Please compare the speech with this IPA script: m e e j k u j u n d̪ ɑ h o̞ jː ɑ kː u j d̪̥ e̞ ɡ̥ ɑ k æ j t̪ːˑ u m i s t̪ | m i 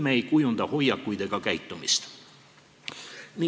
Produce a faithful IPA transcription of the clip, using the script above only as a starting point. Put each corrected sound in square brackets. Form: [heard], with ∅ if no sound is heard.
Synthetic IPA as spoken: m e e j k u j u n d̪ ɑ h o̞ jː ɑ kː u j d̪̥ e̞ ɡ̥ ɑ k æ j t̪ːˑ u m i s t̪ | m i